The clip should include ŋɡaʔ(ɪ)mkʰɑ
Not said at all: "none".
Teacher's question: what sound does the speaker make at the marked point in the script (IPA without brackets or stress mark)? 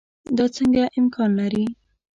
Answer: ɪ